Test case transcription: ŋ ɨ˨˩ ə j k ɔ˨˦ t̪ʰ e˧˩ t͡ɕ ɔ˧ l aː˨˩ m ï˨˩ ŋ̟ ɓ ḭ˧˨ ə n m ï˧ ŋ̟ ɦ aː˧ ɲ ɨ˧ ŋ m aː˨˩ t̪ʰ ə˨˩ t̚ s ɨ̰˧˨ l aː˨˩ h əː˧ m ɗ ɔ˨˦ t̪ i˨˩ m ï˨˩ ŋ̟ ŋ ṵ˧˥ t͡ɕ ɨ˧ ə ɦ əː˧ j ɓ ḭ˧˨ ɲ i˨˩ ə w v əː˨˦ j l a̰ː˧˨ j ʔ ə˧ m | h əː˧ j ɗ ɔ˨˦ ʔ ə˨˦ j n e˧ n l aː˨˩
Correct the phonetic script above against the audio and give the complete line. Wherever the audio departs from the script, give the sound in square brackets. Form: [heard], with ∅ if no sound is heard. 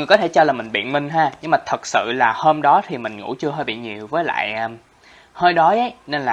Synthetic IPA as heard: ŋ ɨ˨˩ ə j k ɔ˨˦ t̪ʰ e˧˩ t͡ɕ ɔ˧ l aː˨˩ m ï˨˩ ŋ̟ ɓ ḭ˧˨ ə n m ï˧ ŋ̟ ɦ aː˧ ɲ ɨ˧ ŋ m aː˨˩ t̪ʰ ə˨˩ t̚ s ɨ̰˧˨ l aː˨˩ h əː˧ m ɗ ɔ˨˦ [t̪ʰ] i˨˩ m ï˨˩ ŋ̟ ŋ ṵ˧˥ t͡ɕ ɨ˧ ə ɦ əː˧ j ɓ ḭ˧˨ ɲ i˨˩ ə w v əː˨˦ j l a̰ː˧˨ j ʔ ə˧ m | h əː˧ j ɗ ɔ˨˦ ʔ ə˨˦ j n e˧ n l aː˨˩

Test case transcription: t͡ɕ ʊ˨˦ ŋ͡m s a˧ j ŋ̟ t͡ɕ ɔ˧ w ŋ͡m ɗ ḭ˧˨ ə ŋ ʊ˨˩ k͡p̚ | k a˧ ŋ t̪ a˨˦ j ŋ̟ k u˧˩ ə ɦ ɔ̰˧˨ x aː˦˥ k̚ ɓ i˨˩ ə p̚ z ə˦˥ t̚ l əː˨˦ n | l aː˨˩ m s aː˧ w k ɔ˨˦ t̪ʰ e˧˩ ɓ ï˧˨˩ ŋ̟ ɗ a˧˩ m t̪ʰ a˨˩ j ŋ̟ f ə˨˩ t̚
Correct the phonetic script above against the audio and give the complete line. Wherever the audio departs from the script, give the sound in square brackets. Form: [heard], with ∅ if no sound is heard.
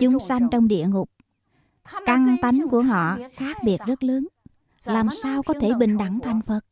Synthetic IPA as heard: t͡ɕ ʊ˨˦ ŋ͡m s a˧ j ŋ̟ t͡ɕ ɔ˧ w ŋ͡m ɗ ḭ˧˨ ə ŋ ʊ˨˩ k͡p̚ | k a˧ ŋ t̪ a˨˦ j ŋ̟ k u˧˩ ə ɦ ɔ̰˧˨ x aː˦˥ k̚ ɓ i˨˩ ə [t̚] z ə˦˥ t̚ l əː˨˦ n | l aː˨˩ m s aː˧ w k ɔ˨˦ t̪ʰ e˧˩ ɓ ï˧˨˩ ŋ̟ ɗ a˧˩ [ŋ] t̪ʰ a˨˩ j ŋ̟ f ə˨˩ t̚

